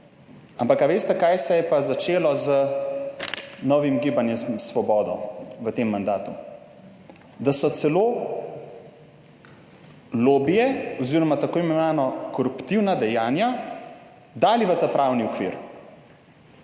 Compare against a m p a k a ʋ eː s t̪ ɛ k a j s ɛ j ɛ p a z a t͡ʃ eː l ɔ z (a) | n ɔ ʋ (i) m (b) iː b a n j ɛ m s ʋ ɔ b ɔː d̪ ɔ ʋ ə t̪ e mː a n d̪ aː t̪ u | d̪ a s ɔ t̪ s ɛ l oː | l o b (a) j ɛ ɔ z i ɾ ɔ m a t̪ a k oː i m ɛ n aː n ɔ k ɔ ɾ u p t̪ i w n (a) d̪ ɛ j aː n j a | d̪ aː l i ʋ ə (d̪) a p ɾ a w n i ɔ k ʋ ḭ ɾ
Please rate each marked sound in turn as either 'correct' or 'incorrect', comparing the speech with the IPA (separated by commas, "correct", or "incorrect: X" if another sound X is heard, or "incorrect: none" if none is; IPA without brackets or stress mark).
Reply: incorrect: ə, correct, incorrect: ɡ, incorrect: i, correct, incorrect: t̪